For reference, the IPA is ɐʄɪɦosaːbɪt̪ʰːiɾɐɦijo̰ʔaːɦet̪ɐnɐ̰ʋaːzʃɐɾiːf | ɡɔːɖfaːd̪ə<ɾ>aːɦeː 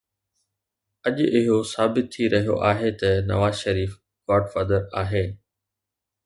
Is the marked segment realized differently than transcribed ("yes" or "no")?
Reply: no